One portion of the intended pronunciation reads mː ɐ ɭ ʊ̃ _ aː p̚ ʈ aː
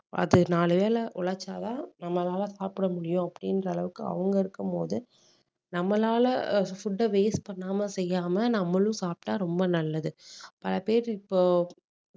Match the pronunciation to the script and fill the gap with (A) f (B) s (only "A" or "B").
B